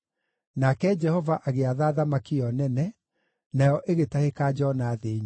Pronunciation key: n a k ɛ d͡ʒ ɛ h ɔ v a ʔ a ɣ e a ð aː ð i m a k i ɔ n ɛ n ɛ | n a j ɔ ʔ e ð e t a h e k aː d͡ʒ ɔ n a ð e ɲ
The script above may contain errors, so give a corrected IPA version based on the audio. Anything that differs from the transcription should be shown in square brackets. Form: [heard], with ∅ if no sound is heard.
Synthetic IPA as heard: n a k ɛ d͡ʒ ɛ h ɔ v a ʔ a ɣ e a ð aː ð [a] m a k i ɔ n ɛ n ɛ | n a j ɔ ʔ e [ɣ] e t a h e k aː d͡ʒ ɔ n a ð e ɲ

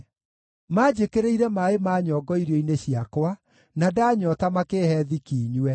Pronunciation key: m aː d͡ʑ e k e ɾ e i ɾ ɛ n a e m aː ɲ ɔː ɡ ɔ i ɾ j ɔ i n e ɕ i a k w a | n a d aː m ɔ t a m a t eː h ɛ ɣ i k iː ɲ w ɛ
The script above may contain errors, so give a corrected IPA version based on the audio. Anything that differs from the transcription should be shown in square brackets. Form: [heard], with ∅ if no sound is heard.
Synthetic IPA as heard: m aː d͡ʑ e k e ɾ e i ɾ ɛ [m] a e m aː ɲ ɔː ɡ ɔ i ɾ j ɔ i n e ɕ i a k w a | n a d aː [ɲ] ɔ t a m a [k] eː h ɛ [ð] i k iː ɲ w ɛ

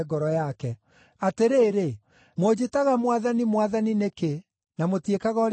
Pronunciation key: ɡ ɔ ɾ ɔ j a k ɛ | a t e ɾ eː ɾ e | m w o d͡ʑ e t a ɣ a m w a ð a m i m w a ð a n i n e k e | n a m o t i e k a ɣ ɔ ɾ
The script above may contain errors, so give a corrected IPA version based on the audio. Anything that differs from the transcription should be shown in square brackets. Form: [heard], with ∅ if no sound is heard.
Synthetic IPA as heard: ɡ ɔ ɾ ɔ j a k ɛ | a t e ɾ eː ɾ e | m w o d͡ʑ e t a ɣ a m w a ð a [n] i m w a ð a n i n e k e | n a m o t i e k a ɣ ɔ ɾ

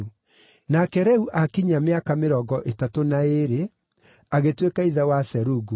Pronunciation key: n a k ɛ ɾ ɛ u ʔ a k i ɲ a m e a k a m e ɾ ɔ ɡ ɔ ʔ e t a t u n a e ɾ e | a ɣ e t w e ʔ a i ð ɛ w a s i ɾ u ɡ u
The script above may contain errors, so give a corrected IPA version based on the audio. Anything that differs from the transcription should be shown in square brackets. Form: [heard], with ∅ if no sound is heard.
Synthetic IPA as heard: n a k ɛ ɾ ɛ u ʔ a k i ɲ a m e a k a m e ɾ ɔ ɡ ɔ ʔ e t a t [o] n a e ɾ e | a ɣ e t w e [k] a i ð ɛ w a s [ɛ] ɾ u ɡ u

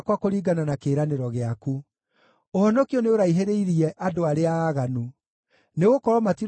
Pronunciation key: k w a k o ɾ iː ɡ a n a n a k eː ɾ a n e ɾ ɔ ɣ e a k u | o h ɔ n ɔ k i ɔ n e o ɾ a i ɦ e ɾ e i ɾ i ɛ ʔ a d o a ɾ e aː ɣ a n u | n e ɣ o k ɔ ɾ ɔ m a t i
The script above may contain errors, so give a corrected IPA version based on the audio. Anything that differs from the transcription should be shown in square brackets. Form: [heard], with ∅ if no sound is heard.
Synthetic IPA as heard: k w a k o ɾ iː ɡ a n a n a k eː ɾ a n e ɾ ɔ ɣ e a k u | o h ɔ n ɔ k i ɔ n e o ɾ a i ɦ e ɾ e i ɾ i ɛ ʔ a d o a ɾ e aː ɣ a n u | n e ɣ o k ɔ ɾ ɔ m a t i

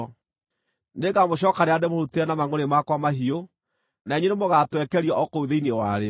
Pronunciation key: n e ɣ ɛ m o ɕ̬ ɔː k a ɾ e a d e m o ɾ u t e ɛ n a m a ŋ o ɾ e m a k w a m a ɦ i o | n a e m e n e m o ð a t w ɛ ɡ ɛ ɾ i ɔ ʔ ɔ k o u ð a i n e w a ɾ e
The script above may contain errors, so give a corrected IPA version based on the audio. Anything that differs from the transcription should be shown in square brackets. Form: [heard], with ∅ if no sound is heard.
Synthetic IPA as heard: n e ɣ [a] m o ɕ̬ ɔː k a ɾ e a d e m o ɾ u t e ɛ n a m a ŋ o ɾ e m a k w a m a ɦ i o | n a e [ɲ] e n e m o [ɣ] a t w ɛ [k] ɛ ɾ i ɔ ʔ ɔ k o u ð [e] i n e w a ɾ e

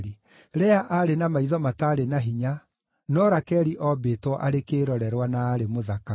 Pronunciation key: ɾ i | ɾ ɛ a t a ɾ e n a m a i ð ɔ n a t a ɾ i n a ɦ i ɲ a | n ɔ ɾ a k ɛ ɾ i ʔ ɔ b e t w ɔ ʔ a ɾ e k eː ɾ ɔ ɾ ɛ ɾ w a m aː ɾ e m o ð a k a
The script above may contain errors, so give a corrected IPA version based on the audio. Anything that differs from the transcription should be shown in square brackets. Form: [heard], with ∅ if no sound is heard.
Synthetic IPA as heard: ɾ i | ɾ ɛ a [ʔ] a ɾ e n a m a i ð ɔ [m] a t a ɾ [e] n a ɦ i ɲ a | n ɔ ɾ a k ɛ ɾ i ʔ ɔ b e t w ɔ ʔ a ɾ e k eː ɾ ɔ ɾ ɛ ɾ w a [n] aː ɾ e m o ð a k a

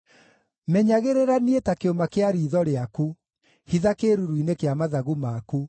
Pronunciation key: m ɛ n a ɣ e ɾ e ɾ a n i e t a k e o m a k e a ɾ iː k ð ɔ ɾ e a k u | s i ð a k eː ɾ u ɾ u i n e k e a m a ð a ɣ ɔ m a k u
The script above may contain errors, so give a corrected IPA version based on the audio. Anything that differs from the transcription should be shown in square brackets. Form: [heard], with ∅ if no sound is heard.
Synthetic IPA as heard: m ɛ [ɲ] a ɣ e ɾ e ɾ a n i e t a k e o m a k e a ɾ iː [∅] ð ɔ ɾ e a k u | [h] i ð a k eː ɾ u ɾ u i n e k e a m a ð a ɣ [u] m a k u

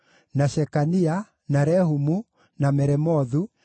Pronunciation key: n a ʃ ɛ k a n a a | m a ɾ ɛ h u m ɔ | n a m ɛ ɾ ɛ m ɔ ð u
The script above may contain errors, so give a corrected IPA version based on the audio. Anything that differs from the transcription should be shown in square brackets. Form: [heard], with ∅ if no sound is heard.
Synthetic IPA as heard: n a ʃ ɛ k a n [i] a | [n] a ɾ ɛ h u m [u] | n a m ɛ ɾ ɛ m ɔ ð u

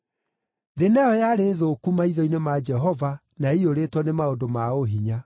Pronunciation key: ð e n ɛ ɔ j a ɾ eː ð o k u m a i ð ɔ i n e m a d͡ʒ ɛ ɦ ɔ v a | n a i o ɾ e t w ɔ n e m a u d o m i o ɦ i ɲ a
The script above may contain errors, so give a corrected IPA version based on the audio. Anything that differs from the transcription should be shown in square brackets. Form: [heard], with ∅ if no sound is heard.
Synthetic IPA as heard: ð e n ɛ ɔ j a ɾ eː ð o k u m a i ð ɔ i n e m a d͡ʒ ɛ ɦ ɔ v a | n a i o ɾ e t w ɔ n e m a [o] d o m [a] o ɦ i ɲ a

